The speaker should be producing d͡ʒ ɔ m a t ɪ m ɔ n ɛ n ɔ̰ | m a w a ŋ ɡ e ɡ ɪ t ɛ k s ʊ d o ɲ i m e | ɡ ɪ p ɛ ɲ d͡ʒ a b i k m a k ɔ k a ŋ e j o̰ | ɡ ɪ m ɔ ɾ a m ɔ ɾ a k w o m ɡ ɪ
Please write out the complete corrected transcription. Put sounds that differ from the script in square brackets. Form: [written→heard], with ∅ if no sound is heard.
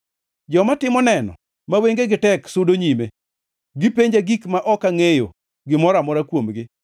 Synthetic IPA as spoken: d͡ʒ ɔ m a t ɪ m ɔ n ɛ n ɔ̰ | m a w [a→e] ŋ ɡ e ɡ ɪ t ɛ k s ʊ d o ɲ i m e | ɡ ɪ p [ɛ→e] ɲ d͡ʒ a [b→ɡ] i k m a [k→ʔ] ɔ k a ŋ e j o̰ | ɡ ɪ m ɔ ɾ a m ɔ ɾ a k w o m ɡ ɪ